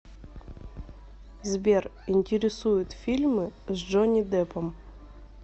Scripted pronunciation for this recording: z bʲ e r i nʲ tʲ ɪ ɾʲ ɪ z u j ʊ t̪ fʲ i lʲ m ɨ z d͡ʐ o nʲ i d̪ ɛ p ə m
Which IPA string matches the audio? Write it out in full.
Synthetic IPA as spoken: z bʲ e r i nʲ tʲ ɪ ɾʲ ɪ s u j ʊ t̪ fʲ i lʲ m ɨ z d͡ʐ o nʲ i d̪ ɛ p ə m